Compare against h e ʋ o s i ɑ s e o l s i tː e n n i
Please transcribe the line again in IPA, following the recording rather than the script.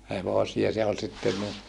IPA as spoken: h e ʋ o s i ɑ s e o l s i tː e n n i